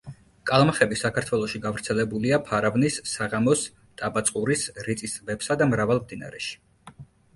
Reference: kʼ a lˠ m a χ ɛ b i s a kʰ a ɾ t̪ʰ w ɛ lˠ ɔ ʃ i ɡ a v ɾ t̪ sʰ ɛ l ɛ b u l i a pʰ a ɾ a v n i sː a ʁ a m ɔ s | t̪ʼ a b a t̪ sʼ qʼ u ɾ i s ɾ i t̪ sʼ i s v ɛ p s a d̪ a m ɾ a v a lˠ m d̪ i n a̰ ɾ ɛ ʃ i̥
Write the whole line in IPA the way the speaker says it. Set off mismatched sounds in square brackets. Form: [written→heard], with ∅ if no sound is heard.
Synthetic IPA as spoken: kʼ a lˠ m a χ ɛ b i s a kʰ a ɾ t̪ʰ w ɛ lˠ ɔ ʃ i ɡ a v ɾ t̪ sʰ ɛ l ɛ b u l i a pʰ a ɾ a v n i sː a ʁ a m ɔ s | t̪ʼ a b a t̪ sʼ qʼ u ɾ i s ɾ i t̪ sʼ i s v ɛ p s a d̪ a m ɾ a v a lˠ m d̪ i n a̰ ɾ ɛ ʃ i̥